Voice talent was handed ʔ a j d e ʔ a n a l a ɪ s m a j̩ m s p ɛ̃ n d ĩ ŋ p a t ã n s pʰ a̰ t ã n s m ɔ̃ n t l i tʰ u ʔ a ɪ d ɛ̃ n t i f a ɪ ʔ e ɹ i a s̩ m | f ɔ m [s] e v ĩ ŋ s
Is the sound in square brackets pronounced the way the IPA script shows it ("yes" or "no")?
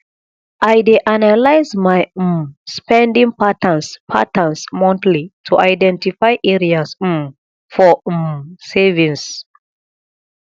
yes